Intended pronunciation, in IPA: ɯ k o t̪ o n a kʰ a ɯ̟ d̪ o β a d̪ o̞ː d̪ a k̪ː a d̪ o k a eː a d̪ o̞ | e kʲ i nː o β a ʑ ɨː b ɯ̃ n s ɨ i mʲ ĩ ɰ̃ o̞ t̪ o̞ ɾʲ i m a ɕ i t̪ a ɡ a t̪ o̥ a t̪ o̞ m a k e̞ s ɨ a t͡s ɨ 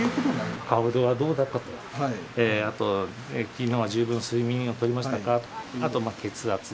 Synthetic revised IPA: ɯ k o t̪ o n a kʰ a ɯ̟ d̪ o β a d̪ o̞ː d̪ a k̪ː a t̪ o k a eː a t̪ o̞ | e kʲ i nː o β a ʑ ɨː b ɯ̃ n s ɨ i mʲ ĩ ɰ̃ o̞ t̪ o̞ ɾʲ i m a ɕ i t̪ a k a t̪ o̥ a t̪ o̞ m a k e̞ t͡s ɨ a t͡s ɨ